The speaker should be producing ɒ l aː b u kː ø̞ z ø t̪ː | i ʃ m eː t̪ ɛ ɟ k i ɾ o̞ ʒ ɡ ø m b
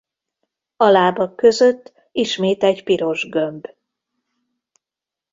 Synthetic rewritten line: ɒ l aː b ɒ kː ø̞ z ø t̪ː | i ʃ m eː t̪ ɛ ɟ p i ɾ o̞ ʒ ɡ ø m b